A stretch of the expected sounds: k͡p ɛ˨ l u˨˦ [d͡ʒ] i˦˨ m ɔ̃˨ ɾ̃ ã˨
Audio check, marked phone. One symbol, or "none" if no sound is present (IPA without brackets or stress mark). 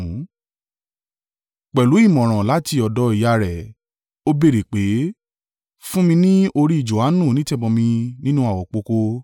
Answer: none